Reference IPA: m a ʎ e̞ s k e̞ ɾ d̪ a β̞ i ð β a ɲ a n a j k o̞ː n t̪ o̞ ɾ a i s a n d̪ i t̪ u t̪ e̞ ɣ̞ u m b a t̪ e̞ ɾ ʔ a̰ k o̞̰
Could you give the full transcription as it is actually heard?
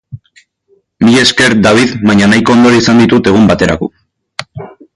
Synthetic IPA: m i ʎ e̞ s k e̞ ɾ d̪ a β̞ i ð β a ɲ a n a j k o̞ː n d̪ o̞ ɾ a i s a n d̪ i t̪ u t̪ e̞ ɣ̞ u m b a t̪ e̞ ɾ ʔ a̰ k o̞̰